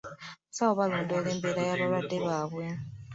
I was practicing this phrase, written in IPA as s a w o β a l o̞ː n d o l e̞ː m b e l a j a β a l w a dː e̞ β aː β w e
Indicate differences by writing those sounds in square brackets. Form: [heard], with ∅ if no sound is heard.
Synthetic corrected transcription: s a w o β a l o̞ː n d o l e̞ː m b e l a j a β a l w a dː e̞ β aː β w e